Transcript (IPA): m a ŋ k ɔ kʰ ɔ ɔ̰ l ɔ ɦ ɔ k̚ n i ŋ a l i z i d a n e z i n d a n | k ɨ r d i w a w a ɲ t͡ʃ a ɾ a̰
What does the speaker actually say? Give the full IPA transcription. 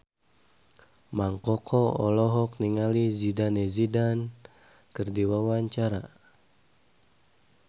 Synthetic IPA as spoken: m a ŋ k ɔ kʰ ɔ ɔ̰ l ɔ ɦ ɔ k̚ n i ŋ a l i z i d a n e z i d a n | k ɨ r d i w a w a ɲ t͡ʃ a ɾ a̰

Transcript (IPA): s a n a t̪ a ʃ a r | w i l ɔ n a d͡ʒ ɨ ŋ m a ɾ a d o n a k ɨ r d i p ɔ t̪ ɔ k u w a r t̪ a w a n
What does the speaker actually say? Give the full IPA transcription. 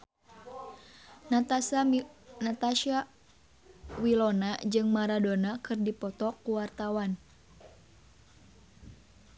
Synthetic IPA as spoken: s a n a t̪ a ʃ a | w i l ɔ n a d͡ʒ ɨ ŋ m a ɾ a d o n a k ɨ r d i p ɔ t̪ ɔ k u w a r t̪ a w a n

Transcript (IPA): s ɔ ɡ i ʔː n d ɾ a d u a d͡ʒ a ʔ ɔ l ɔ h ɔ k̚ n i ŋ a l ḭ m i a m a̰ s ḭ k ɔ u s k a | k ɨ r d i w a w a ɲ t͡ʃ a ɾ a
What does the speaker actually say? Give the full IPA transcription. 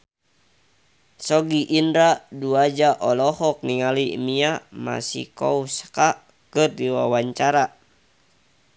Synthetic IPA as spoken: s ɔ ɡ i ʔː n d ɾ a d u a d͡ʒ a ʔ ɔ l ɔ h ɔ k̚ n i ŋ a l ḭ m i a m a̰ s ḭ k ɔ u s k a | k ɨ r d i w a w a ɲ t͡ʃ a ɾ a

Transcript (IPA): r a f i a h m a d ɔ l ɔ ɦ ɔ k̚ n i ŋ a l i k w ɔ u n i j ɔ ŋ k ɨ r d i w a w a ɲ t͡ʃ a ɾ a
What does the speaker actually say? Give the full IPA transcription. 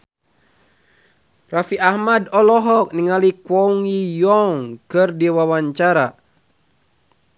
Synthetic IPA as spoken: r a f i a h m a d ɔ l ɔ ɦ ɔ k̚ n i ŋ a l i k w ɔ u ŋ i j ɔ ŋ k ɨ r d i w a w a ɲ t͡ʃ a ɾ a

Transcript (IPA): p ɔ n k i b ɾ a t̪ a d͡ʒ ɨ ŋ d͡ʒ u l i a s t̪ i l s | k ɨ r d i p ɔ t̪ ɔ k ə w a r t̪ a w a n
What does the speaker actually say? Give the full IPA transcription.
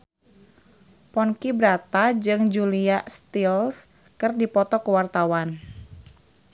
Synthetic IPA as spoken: p ɔ n k i b ɾ a t̪ a d͡ʒ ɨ ŋ d͡ʒ u l i a s t̪ i l s | k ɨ r d i p ɔ t̪ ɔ k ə w a r t̪ a w a n

